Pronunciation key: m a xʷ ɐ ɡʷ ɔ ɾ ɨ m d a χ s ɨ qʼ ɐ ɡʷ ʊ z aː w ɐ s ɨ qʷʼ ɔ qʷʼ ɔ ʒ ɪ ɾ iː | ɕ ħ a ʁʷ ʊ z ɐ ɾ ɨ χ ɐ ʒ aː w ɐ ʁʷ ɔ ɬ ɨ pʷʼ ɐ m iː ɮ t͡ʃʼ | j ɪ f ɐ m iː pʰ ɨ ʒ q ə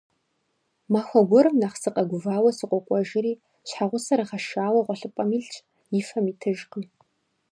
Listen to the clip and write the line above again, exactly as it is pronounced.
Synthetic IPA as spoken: m a xʷ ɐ ɡʷ ɔ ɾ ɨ m n a χ s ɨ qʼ ɐ ɡʷ ʊ v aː w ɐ s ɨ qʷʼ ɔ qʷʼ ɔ ʒ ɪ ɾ iː | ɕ ħ a ʁʷ ʊ s ɐ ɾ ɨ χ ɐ ʃ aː w ɐ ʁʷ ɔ ɬ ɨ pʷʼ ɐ m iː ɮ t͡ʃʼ | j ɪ f ɐ m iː tʰ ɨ ʒ q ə